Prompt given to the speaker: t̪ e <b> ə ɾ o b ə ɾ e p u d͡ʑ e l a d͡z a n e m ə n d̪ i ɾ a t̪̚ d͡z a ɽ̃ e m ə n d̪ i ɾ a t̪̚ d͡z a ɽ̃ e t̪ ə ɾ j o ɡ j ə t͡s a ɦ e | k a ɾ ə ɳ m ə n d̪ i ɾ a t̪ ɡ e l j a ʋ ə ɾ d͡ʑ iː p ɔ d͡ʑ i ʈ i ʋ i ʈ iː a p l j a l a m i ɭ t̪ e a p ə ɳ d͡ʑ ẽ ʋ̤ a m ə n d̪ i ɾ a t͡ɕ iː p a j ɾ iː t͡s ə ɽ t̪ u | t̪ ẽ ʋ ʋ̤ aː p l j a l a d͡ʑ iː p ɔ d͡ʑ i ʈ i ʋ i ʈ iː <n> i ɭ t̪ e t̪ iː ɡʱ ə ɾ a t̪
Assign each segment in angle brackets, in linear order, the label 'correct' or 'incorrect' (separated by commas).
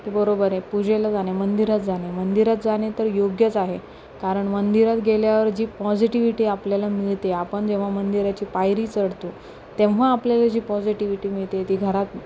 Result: correct, incorrect